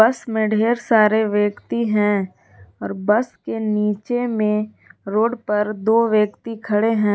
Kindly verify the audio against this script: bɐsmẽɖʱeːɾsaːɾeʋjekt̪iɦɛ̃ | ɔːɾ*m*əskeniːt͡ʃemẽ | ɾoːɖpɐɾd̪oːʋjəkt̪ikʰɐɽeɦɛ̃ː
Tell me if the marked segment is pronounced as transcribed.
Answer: no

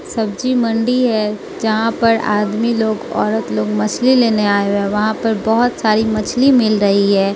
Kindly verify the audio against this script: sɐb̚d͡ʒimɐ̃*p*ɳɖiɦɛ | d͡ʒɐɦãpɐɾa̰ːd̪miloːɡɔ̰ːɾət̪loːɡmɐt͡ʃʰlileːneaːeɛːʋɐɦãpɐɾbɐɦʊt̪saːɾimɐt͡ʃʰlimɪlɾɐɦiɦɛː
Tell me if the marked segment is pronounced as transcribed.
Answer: no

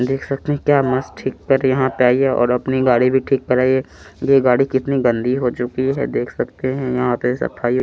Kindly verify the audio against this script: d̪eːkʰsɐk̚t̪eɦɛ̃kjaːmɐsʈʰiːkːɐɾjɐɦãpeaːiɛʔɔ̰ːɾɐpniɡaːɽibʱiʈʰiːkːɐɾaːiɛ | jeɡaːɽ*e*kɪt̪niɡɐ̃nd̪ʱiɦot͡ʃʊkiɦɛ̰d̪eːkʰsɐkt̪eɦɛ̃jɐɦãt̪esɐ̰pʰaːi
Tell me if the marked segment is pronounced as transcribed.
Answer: no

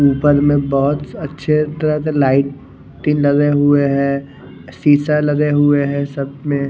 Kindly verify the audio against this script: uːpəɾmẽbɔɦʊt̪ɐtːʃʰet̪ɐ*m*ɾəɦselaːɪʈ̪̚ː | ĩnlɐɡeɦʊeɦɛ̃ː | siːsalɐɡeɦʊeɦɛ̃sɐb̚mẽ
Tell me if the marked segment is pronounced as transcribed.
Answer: no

